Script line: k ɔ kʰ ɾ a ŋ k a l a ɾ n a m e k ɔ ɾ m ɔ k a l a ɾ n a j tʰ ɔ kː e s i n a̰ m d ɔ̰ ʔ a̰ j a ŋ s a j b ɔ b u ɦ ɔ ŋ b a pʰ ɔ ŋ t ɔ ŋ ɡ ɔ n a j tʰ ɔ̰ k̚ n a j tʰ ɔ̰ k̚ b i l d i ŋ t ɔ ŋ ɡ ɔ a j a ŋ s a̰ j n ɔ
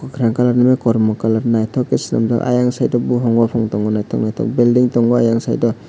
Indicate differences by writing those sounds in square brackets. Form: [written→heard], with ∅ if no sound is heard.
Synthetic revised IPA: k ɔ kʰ ɾ a ŋ k a l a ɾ n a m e k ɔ ɾ m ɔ k a l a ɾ n a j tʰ ɔ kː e s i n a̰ m d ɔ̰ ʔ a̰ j a ŋ s a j [b→d] ɔ b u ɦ ɔ ŋ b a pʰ ɔ ŋ t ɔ ŋ ɡ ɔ n a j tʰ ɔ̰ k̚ n a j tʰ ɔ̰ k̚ b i l d i ŋ t ɔ ŋ ɡ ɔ a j a ŋ s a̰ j [n→d] ɔ